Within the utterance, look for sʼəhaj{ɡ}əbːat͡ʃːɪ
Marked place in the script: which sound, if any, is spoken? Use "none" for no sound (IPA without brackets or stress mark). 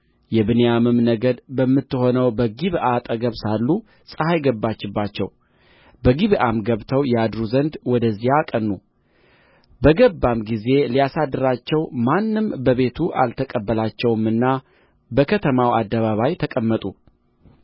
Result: ɡ